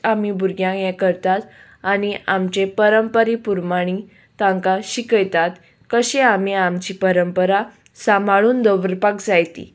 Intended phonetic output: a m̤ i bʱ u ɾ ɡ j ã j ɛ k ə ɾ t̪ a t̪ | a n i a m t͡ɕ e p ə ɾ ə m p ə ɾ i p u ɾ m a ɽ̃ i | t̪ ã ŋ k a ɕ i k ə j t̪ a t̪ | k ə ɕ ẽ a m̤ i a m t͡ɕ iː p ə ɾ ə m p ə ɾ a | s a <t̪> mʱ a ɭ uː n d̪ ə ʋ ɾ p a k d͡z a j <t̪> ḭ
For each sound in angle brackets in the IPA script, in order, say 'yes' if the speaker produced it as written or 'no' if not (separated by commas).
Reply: no, yes